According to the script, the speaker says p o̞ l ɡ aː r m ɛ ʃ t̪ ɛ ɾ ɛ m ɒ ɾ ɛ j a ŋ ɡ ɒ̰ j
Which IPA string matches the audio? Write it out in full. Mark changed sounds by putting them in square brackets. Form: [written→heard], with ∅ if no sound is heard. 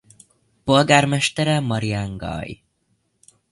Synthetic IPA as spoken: p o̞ l ɡ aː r m ɛ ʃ t̪ ɛ ɾ ɛ m ɒ ɾ [ɛ→i] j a ŋ ɡ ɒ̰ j